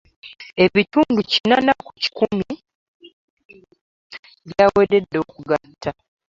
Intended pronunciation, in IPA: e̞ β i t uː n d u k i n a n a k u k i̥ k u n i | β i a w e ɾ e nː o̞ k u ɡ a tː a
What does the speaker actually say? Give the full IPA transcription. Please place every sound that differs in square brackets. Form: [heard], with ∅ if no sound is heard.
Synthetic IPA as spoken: e̞ β i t uː n d u [c] i n a n a k u [c] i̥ k u [m] i | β [j] a w e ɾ e [dː] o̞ k u ɡ a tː a